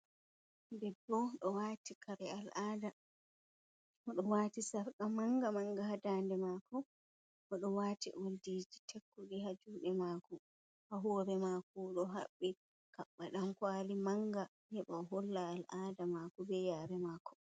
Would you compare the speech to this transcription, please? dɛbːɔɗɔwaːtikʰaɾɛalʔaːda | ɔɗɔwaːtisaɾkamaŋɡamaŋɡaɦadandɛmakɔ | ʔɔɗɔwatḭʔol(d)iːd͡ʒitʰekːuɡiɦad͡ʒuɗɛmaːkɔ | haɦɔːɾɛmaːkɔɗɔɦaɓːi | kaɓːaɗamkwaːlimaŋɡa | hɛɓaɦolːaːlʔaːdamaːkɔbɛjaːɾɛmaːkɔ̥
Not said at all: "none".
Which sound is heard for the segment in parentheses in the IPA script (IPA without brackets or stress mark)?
d